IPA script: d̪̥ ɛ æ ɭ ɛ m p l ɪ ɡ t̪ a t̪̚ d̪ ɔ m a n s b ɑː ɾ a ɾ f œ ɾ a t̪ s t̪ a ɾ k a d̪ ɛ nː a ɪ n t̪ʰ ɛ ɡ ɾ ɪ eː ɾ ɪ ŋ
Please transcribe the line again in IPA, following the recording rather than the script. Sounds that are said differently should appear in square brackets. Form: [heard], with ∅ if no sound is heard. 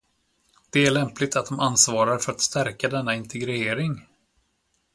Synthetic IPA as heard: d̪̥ ɛ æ ɭ ɛ m p l ɪ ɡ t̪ a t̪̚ d̪ ɔ m a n s [v] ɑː ɾ a ɾ f œ ɾ a t̪ s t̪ [æ] ɾ k a d̪ ɛ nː a ɪ n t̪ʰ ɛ ɡ ɾ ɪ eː ɾ ɪ ŋ